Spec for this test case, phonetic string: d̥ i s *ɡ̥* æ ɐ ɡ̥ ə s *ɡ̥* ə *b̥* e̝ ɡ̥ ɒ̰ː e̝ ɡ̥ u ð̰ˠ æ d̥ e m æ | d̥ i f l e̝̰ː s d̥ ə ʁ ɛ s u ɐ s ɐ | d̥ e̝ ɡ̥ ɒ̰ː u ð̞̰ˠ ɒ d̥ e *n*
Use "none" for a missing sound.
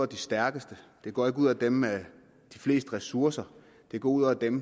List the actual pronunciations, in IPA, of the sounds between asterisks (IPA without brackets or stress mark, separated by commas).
d̥, d̥, d̥, m